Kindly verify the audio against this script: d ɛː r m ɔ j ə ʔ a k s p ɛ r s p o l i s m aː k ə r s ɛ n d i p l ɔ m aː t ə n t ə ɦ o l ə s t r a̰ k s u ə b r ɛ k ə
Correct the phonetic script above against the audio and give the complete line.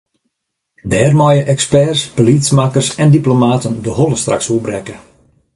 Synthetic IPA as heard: d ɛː r m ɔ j ə ʔ ɛ k s p ɛ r s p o l i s m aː k ə r s ɛ n d i p l o m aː t ə n d ə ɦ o l ə s t r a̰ k s u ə b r ɛ k ə